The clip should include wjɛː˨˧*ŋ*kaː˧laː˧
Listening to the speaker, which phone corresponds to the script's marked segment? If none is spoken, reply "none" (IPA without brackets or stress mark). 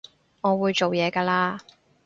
none